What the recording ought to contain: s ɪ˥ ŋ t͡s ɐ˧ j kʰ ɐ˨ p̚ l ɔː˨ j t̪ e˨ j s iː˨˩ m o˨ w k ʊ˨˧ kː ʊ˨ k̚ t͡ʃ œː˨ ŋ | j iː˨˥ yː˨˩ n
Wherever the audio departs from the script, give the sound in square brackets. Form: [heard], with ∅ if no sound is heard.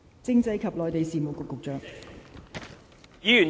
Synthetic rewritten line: [t͡s] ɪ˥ ŋ t͡s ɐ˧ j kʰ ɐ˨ p̚ l ɔː˨ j t̪ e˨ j s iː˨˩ m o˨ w k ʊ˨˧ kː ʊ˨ k̚ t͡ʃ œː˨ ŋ | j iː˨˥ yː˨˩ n